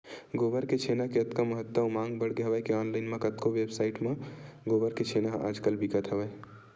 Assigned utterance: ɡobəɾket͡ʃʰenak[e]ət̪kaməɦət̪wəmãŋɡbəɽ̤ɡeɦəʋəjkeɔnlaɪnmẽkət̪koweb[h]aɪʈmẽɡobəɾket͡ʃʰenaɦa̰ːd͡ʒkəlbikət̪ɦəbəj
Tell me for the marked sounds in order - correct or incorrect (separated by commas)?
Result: correct, incorrect